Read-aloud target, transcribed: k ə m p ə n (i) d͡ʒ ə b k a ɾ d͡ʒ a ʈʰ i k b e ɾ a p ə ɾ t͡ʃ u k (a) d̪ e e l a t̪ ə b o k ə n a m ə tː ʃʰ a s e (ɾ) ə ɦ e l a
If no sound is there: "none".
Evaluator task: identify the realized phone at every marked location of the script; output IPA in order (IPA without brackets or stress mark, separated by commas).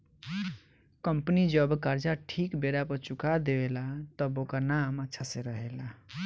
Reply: i, a, ɾ